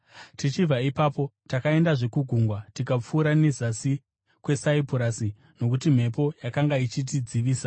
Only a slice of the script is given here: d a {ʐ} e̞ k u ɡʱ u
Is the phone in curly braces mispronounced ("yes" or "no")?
no